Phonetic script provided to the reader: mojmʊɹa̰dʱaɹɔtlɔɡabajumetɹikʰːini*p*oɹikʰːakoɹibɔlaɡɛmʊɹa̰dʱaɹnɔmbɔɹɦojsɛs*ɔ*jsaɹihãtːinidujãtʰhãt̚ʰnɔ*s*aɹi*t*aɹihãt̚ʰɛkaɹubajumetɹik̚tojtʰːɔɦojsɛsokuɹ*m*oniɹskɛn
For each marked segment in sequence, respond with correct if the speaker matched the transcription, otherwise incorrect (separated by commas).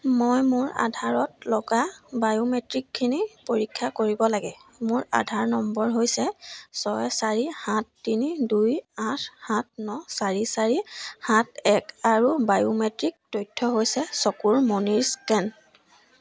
correct, correct, correct, incorrect, correct